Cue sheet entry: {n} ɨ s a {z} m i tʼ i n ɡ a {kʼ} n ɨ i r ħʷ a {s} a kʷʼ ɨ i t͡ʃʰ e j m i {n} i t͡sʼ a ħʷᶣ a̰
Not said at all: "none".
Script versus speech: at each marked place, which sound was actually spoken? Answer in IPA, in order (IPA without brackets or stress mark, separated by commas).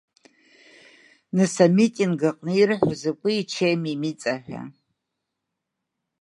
n, none, qʼ, z, m